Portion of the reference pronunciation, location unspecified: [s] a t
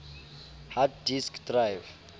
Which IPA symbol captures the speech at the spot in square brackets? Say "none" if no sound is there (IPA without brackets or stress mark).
h